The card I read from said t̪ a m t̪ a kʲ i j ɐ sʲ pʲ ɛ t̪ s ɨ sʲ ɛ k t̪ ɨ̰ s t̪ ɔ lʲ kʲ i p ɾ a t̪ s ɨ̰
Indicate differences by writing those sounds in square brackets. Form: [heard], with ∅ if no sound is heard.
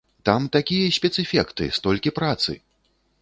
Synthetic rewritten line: t̪ a m t̪ a kʲ i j ɐ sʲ pʲ ɛ t̪ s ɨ [fʲ] ɛ k t̪ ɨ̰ s t̪ ɔ lʲ kʲ i p ɾ a t̪ s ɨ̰